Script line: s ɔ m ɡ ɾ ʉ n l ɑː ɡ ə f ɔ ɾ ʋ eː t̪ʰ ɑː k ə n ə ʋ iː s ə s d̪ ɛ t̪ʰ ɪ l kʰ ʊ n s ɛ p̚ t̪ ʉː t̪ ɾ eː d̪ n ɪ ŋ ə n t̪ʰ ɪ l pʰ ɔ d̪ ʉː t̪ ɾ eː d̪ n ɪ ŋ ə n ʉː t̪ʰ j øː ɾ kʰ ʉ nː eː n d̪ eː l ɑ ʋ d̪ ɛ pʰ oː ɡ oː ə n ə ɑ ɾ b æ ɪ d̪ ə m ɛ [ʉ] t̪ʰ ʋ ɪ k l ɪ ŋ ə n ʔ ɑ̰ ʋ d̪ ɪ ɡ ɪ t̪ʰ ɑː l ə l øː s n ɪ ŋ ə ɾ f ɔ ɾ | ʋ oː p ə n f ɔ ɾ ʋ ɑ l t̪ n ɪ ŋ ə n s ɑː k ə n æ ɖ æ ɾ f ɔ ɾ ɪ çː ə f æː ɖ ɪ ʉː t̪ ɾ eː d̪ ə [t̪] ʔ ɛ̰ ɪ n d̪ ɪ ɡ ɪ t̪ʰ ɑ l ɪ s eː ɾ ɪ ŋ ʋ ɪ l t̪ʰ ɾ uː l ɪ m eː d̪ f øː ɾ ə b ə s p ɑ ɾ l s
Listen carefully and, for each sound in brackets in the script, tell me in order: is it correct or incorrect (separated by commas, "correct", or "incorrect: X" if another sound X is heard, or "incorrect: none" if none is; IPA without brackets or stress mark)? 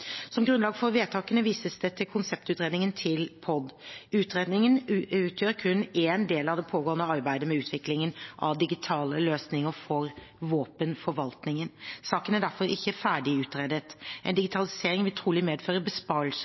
incorrect: ʉː, correct